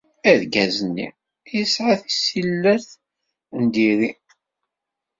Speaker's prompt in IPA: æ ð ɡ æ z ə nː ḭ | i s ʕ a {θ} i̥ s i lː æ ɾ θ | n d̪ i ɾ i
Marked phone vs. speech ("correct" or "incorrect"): correct